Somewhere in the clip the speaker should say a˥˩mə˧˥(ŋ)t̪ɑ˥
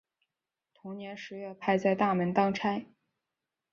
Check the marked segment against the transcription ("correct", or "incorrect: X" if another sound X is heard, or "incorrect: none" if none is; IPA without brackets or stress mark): incorrect: n